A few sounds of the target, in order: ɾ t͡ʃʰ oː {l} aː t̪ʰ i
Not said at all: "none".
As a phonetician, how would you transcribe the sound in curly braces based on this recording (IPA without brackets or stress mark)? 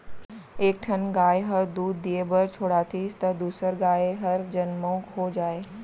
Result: ɽ